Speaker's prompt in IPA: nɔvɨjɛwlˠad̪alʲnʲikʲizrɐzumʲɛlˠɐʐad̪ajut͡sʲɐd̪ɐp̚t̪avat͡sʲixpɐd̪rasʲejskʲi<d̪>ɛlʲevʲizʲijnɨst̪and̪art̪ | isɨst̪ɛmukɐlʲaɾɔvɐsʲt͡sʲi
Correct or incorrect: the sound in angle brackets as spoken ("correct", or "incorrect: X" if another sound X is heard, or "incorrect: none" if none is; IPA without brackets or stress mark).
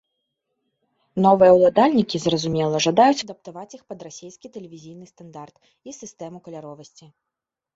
incorrect: t̪